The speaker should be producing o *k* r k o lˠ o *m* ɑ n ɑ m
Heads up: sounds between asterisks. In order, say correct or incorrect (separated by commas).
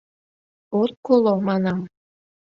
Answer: incorrect, correct